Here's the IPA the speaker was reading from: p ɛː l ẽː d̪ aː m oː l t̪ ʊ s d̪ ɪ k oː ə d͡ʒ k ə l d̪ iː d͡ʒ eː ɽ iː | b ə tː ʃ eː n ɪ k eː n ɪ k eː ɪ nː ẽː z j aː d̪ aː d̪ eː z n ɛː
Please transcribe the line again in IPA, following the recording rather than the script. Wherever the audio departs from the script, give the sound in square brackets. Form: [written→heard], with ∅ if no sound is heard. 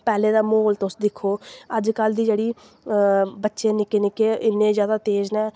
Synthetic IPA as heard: p ɛː l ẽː d̪ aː m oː l t̪ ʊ s d̪ ɪ [k→kʰ] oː ə d͡ʒ k ə l d̪ iː d͡ʒ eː ɽ iː | b ə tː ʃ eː n ɪ k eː n ɪ k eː ɪ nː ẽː z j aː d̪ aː [d̪→t̪] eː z n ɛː